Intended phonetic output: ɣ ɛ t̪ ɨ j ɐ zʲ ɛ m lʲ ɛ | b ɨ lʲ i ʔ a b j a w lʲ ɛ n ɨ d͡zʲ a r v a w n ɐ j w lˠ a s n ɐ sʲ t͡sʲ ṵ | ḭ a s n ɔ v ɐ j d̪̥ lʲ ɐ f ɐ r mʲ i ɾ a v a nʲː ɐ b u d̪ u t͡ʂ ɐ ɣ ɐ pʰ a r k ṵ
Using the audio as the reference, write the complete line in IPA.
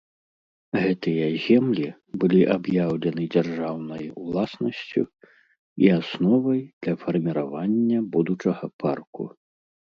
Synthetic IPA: ɣ ɛ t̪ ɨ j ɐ zʲ ɛ m lʲ i | b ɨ lʲ i ʔ a b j a w lʲ ɛ n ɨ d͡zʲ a r ʐ a w n ɐ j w lˠ a s n ɐ sʲ t͡sʲ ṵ | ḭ a s n ɔ v ɐ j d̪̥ lʲ ɐ f ɐ r mʲ i ɾ a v a nʲː ɐ b u d̪ u t͡ʂ ɐ ɣ ɐ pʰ a r k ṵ